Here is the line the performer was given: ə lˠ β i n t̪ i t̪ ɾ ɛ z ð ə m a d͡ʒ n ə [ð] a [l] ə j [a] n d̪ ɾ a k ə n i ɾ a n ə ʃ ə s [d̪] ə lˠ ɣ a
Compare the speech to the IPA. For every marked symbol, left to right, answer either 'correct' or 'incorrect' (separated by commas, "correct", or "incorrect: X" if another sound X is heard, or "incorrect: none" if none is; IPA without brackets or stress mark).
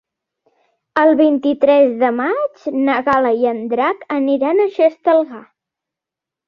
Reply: incorrect: ɣ, correct, incorrect: ə, incorrect: t̪